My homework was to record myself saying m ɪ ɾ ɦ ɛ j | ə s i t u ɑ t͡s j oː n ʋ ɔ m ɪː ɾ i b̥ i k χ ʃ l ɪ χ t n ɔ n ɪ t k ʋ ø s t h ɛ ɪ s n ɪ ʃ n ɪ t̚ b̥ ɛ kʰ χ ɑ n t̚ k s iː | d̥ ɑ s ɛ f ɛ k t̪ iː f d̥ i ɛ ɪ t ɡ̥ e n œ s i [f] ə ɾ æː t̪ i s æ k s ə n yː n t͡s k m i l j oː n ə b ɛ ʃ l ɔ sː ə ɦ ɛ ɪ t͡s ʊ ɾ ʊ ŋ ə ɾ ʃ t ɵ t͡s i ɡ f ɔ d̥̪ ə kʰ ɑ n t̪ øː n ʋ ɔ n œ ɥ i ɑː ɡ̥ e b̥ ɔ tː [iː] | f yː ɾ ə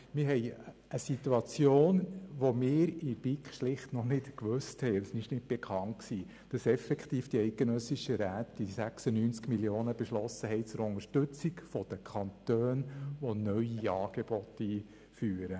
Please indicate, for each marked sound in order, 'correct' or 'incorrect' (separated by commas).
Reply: incorrect, correct